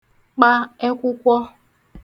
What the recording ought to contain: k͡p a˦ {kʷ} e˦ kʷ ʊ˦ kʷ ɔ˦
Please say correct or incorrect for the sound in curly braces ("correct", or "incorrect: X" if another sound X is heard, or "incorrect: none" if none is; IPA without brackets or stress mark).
incorrect: none